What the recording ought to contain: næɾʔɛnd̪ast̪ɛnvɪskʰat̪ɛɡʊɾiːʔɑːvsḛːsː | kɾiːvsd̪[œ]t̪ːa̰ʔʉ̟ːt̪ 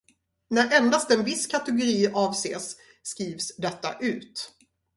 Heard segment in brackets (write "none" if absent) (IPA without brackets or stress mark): ɛ